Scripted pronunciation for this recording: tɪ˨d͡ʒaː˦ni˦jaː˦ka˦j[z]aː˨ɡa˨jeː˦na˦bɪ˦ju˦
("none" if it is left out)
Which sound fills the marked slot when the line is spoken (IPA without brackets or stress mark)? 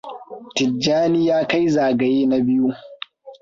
z